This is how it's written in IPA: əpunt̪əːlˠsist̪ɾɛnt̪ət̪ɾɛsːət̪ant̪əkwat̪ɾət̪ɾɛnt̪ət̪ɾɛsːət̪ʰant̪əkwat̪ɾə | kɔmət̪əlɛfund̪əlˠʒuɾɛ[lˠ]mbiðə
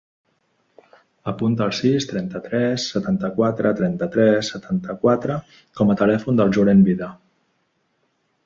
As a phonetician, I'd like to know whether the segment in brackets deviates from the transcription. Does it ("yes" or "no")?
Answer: yes